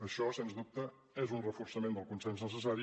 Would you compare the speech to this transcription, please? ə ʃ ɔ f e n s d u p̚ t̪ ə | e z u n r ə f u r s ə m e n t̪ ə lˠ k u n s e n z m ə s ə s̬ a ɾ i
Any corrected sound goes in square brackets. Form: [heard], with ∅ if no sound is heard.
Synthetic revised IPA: ə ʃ ɔ [s] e n [z] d u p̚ t̪ ə | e z u n r ə f u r s ə m e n [d̪] ə lˠ k u n s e n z [n] ə s ə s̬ a ɾ i